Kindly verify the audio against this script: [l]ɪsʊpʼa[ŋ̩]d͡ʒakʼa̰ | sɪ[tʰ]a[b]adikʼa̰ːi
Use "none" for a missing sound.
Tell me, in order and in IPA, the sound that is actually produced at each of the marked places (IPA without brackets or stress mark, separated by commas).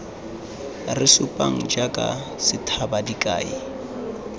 r, ŋ̩, tʰ, b